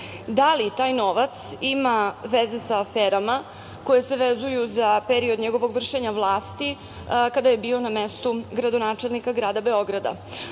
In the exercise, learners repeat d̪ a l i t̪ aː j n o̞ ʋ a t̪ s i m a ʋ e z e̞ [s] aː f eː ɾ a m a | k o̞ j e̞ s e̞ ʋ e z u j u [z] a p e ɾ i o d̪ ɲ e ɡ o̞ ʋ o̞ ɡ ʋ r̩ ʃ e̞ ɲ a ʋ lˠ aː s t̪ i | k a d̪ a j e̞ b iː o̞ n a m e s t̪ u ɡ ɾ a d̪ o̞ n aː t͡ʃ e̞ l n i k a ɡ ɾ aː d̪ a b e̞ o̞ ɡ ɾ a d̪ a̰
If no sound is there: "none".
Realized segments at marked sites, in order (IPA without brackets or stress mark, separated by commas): s, z